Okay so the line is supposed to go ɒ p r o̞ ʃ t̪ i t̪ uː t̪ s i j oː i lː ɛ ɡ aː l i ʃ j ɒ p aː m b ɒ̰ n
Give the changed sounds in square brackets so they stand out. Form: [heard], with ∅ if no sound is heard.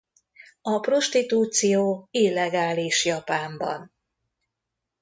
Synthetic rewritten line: ɒ p r o̞ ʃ t̪ i t̪ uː t̪ s i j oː i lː ɛ ɡ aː l i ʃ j ɒ p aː m b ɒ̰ n